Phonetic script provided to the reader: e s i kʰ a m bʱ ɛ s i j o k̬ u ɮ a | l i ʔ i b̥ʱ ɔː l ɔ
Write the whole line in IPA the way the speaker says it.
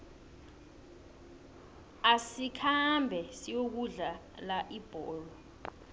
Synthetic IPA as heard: a s i kʰ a m bʱ ɛ s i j o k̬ u ɮ a | l a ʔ i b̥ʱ ɔː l ɔ